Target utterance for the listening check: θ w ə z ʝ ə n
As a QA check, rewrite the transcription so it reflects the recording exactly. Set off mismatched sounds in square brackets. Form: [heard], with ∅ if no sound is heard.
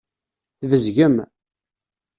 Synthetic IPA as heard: θ [v] ə z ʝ ə [m]